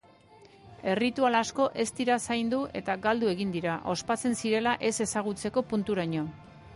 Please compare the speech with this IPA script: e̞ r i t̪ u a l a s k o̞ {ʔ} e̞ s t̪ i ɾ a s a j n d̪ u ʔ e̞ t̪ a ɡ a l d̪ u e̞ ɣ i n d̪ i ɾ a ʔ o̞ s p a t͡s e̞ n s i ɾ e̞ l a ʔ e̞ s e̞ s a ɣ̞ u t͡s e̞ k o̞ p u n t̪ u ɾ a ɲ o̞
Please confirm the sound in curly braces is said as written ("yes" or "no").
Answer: yes